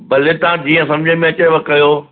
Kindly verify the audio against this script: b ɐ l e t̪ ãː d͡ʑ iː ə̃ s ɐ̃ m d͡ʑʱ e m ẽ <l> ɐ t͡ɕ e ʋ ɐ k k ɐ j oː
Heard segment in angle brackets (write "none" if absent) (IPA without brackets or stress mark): none